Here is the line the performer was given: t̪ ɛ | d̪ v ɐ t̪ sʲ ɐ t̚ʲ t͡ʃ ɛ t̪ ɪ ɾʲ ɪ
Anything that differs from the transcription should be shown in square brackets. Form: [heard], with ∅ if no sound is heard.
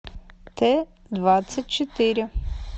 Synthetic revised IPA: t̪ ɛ | d̪ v [a] t̪ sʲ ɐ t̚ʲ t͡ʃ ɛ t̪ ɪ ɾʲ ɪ